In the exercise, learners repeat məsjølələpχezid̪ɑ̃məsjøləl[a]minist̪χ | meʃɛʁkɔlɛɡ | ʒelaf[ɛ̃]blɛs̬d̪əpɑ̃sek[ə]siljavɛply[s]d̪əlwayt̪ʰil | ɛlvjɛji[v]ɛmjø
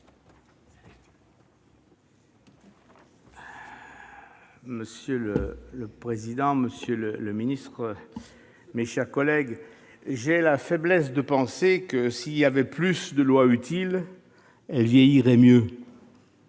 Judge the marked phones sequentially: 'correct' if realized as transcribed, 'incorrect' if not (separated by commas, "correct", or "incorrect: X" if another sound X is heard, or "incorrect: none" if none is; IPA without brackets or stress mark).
incorrect: ə, incorrect: ɛ, correct, correct, incorrect: ʁ